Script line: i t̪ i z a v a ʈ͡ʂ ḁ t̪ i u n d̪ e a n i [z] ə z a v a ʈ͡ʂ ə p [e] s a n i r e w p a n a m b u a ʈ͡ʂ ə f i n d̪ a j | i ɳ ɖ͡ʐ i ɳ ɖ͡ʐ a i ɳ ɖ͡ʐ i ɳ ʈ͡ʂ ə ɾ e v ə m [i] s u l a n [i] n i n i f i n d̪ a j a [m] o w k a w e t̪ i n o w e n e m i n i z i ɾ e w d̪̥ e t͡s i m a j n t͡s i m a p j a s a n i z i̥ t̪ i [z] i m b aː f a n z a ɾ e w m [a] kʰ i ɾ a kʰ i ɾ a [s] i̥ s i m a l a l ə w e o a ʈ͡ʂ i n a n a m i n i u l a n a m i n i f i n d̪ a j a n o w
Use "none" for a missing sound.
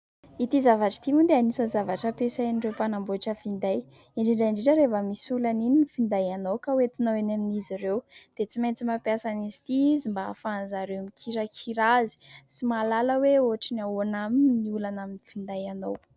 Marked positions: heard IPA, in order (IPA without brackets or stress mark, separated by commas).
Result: s, e, i, i, n, z, i, z